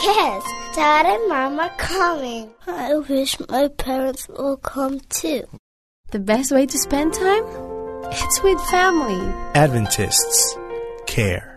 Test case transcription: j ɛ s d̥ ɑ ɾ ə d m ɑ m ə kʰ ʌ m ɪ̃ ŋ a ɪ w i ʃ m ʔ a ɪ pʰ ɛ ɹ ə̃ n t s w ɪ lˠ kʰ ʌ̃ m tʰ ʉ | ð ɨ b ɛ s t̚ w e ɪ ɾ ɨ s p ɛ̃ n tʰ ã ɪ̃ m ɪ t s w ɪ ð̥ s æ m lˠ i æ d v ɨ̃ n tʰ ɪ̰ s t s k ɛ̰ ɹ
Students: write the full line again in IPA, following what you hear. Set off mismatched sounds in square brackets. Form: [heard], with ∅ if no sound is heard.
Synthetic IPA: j ɛ s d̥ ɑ ɾ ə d m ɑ m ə kʰ ʌ m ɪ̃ ŋ a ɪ w [ɪ] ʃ m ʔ a ɪ pʰ ɛ ɹ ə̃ n t s w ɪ lˠ kʰ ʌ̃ m tʰ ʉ | ð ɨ b ɛ s t̚ w e ɪ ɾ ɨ s p ɛ̃ n tʰ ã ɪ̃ m ɪ t s w ɪ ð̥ [f] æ m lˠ i æ d v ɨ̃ n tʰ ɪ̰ s t s [kʰ] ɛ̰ ɹ